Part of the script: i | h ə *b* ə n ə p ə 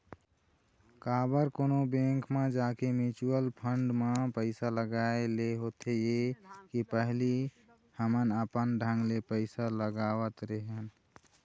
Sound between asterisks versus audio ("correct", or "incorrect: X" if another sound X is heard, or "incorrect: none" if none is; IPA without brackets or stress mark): incorrect: m